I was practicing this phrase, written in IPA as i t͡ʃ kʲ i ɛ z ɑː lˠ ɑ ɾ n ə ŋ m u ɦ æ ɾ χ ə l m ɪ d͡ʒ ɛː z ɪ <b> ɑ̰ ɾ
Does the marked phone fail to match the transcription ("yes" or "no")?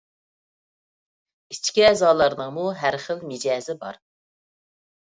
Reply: no